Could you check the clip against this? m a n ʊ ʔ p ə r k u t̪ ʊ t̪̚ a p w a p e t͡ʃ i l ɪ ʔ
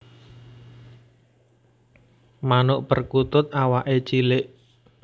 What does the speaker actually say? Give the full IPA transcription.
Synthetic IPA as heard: m a n ʊ ʔ p ə r k u t̪ ʊ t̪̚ a w a ʔ e t͡ʃ i l ɪ ʔ